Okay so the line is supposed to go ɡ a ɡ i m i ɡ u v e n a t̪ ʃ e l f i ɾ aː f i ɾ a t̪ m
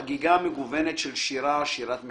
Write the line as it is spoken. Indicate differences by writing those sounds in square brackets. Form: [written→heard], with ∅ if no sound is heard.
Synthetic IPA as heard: ɡ [a→i] ɡ [i→a] m [i→e] ɡ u v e n [a→e] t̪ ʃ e l [f→ʃ] i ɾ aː [f→ʃ] i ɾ a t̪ m